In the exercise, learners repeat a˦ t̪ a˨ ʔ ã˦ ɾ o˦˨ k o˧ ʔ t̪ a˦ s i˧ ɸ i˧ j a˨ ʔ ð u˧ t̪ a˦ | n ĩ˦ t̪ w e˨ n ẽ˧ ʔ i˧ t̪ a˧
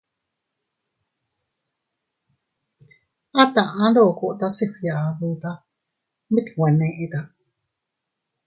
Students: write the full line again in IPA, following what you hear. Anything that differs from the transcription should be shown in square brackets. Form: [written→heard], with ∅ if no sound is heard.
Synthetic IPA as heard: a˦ t̪ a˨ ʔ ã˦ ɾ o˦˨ k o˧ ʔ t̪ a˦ s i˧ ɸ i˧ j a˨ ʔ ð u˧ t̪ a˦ | [n→m] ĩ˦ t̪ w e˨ n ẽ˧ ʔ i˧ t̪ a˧

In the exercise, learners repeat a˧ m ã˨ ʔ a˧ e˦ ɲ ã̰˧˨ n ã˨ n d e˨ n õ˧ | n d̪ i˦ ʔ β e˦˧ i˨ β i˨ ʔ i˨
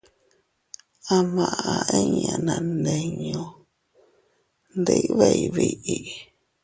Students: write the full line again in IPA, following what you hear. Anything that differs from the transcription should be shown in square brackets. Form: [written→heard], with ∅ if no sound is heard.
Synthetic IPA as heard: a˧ m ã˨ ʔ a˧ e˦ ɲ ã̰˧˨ n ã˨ n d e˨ [n→ɲ] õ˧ | n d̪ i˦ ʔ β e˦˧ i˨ β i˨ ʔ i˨

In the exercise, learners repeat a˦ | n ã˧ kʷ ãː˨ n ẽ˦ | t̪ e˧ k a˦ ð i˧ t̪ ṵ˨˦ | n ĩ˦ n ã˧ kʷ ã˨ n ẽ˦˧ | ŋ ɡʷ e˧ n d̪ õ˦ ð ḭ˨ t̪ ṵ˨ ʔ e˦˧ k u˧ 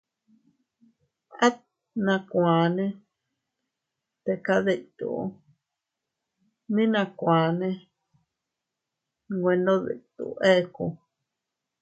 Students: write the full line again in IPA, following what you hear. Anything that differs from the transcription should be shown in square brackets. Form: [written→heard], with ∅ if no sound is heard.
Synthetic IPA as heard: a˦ | n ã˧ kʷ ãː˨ n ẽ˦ | t̪ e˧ k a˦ ð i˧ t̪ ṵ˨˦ | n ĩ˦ n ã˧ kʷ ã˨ n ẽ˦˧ | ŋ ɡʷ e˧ n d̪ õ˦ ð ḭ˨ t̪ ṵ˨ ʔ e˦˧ k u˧

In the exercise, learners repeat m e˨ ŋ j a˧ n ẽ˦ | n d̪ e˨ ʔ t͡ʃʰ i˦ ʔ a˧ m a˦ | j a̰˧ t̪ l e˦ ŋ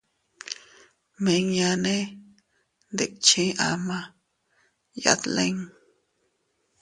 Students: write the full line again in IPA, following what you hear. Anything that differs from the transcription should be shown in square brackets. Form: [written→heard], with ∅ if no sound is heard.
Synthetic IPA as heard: m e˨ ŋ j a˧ n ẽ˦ | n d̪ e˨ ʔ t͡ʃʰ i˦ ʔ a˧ m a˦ | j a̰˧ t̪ l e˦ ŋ

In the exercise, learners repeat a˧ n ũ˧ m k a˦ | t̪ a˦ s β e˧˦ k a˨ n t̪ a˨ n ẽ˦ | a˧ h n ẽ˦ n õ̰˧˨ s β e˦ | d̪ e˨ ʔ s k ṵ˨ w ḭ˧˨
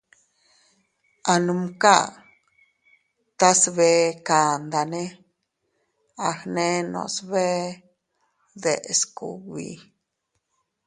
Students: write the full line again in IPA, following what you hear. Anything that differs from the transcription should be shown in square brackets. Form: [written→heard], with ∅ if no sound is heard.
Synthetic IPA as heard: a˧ n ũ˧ m k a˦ | t̪ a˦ s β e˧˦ k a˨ n [t̪→d̪] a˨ n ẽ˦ | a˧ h n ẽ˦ n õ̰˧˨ s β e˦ | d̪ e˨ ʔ s k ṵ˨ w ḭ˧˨

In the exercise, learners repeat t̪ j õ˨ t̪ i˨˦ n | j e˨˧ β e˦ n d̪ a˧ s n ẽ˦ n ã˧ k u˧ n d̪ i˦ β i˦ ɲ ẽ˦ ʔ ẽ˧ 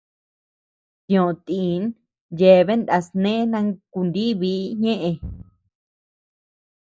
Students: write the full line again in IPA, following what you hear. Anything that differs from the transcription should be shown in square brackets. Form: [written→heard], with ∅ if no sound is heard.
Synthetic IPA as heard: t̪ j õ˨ t̪ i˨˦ n | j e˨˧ β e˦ n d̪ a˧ s n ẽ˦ n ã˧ k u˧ n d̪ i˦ β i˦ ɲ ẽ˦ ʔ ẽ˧

